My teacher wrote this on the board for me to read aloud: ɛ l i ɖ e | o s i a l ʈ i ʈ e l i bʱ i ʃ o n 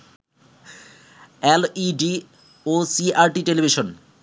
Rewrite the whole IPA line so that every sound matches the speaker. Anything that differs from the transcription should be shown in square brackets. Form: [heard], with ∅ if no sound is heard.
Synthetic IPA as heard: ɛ l i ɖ [i] | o s i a [ɾ] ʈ i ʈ e l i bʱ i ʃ o n